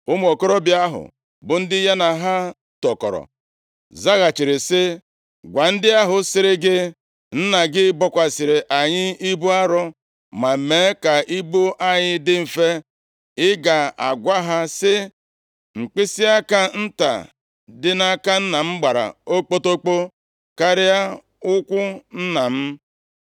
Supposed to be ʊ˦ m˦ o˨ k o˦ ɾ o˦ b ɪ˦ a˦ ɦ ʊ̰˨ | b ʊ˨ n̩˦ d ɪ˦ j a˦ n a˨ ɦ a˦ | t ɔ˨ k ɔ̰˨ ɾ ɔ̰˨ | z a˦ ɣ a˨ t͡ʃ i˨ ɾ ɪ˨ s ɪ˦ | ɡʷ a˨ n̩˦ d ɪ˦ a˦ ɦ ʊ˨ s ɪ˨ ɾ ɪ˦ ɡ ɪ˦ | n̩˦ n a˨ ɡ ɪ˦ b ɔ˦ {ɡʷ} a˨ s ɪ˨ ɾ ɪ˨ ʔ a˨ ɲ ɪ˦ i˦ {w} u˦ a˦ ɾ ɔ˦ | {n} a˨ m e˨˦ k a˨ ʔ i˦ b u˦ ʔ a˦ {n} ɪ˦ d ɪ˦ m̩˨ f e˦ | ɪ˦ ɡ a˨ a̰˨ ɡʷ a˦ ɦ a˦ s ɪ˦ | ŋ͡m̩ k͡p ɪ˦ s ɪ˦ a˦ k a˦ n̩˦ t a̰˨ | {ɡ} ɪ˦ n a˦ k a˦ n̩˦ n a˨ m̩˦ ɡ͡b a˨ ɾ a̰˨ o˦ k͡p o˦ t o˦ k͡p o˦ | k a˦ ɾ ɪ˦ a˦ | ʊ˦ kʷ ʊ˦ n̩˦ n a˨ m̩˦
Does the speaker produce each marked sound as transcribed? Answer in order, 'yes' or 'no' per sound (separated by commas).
no, no, no, no, no